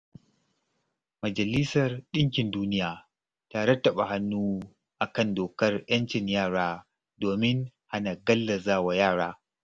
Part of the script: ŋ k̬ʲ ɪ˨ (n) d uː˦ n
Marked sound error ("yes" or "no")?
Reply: no